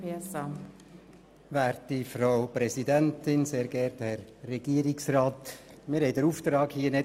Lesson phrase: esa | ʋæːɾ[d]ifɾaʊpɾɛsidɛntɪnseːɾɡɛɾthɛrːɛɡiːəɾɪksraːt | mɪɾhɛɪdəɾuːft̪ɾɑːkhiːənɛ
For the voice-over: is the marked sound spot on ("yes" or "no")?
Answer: no